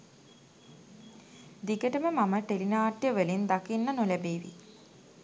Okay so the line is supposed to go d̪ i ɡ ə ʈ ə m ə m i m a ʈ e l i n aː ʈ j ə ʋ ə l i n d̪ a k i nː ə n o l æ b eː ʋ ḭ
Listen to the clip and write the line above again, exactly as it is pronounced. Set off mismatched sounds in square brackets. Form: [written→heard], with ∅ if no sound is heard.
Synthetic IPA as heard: d̪ i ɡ ə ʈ ə m ə m [i→a] m [a→ə] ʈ e l i n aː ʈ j ə ʋ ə l i n d̪ a k i nː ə n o l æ b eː ʋ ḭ